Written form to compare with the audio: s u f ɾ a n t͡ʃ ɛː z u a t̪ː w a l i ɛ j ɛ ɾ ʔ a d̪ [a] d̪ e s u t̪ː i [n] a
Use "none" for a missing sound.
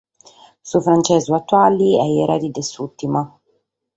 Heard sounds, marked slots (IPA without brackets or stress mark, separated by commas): i, m